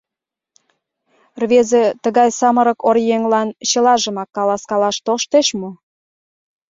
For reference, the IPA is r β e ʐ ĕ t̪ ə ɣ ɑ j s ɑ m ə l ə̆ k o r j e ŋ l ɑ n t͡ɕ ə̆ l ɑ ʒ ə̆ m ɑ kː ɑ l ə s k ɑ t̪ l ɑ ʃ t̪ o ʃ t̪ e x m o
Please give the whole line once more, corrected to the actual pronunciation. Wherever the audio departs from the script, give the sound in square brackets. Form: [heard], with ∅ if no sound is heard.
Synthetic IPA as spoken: r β e [z] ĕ t̪ ə ɣ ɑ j s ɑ m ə [ɾ] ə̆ k o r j e ŋ l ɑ n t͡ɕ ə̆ l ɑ ʒ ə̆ m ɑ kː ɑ l [ɑ] s k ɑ [∅] l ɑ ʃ t̪ o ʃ t̪ e [ʃ] m o